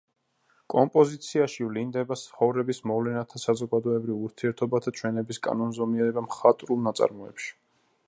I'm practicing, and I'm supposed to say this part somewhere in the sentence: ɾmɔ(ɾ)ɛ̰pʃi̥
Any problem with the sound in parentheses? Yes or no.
yes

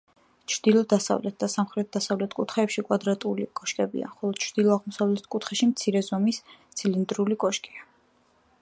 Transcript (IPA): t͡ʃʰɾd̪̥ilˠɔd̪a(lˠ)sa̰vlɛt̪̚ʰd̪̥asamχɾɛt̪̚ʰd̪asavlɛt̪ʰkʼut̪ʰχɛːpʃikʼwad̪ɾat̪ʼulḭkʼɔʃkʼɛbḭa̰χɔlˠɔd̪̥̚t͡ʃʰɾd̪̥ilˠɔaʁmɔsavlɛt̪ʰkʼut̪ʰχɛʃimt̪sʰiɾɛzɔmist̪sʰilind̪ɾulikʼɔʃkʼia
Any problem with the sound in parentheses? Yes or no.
yes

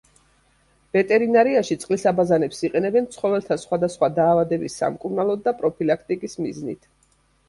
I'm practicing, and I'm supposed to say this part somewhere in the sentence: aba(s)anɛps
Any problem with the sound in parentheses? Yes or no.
yes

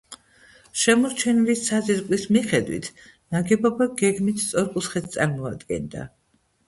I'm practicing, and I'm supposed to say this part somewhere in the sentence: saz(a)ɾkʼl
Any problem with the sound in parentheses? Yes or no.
yes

